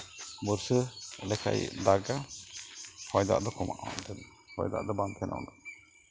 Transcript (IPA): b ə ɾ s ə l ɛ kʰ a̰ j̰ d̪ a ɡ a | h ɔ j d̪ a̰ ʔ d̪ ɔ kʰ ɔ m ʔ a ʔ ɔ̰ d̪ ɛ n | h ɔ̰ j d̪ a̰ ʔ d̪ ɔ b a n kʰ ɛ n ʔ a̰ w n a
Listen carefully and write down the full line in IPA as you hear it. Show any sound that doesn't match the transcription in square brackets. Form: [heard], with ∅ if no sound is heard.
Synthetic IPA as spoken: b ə ɾ s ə l ɛ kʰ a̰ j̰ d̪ a ɡ a | h ɔ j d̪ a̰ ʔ d̪ ɔ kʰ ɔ m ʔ a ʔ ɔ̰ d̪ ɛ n | h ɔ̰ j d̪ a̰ ʔ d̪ ɔ b a n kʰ ɛ n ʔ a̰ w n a